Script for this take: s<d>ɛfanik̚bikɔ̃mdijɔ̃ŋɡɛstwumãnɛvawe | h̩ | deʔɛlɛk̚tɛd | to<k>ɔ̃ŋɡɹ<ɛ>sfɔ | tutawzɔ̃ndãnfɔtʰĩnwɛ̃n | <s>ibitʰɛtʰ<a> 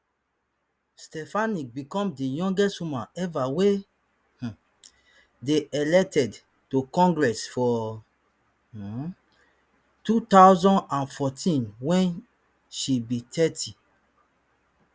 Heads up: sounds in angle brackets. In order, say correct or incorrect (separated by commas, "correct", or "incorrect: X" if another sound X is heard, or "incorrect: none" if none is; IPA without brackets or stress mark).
incorrect: t, correct, correct, incorrect: ʃ, incorrect: i